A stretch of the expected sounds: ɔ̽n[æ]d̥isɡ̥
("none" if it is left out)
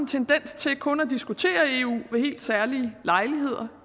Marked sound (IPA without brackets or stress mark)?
æ